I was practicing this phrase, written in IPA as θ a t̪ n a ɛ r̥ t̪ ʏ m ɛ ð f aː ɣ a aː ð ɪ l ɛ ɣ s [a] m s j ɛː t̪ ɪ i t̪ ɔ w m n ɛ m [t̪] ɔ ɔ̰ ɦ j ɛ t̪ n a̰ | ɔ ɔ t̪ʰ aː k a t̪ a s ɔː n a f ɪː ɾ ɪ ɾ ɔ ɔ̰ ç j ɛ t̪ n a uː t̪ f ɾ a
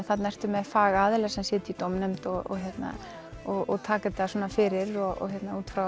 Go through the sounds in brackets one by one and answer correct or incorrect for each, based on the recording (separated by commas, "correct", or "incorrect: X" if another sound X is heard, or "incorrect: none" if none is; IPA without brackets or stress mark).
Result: incorrect: ɛ, correct